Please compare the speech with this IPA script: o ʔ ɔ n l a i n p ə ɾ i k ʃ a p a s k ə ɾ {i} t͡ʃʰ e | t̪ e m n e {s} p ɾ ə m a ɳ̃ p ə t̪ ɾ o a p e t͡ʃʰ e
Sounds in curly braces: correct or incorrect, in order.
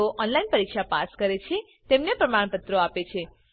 incorrect: e, incorrect: none

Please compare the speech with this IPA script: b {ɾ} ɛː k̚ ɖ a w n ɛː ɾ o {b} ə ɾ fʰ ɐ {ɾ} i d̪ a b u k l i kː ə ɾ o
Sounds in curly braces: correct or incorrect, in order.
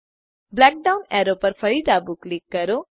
incorrect: l, incorrect: p, incorrect: ɭ

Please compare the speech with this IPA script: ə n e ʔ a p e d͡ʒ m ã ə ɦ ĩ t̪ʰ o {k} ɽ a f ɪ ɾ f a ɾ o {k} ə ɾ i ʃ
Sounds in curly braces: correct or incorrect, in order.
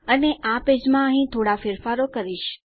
incorrect: none, correct

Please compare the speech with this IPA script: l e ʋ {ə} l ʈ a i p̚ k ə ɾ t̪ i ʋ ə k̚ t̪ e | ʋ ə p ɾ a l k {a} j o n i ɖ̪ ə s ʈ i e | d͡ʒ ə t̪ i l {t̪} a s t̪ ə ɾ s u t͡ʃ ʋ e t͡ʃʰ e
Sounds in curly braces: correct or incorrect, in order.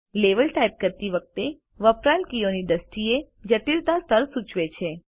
correct, incorrect: i, correct

